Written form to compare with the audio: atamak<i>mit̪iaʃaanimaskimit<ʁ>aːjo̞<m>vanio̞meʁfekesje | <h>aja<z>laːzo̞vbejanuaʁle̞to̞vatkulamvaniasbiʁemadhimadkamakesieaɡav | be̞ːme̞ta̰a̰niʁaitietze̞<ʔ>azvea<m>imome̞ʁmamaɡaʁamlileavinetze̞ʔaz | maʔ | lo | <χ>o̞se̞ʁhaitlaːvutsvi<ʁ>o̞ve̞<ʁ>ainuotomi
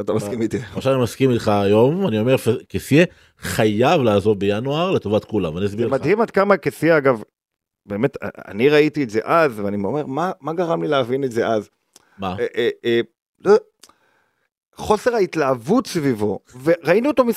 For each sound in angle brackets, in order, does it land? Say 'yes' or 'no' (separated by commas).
yes, no, yes, no, no, yes, no, yes, no, yes